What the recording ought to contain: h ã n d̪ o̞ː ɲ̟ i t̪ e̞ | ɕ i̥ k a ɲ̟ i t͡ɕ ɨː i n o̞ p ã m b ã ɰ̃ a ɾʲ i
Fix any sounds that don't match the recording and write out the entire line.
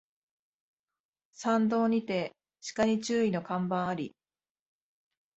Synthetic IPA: s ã n d̪ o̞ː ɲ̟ i t̪ e̞ | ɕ i̥ k a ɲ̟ i t͡ɕ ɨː i n o̞ k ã m b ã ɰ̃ a ɾʲ i